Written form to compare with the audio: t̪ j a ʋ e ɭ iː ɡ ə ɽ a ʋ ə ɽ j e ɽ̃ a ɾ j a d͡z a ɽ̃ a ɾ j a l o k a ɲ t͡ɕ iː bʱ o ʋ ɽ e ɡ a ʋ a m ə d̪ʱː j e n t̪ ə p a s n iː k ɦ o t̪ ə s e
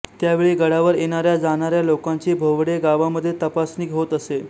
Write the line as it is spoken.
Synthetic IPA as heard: t̪ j a ʋ e ɭ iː ɡ ə ɽ a ʋ ə ɾ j e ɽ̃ a ɾ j a d͡z a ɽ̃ a ɾ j a l o k a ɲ t͡ɕ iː bʱ o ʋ ɽ e ɡ a ʋ a m ə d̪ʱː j e t̪ ə p a s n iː k ɦ o t̪ ə s e